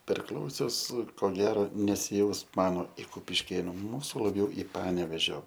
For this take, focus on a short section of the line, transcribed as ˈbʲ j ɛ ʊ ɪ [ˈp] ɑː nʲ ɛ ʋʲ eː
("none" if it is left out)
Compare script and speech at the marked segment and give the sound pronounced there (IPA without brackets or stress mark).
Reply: p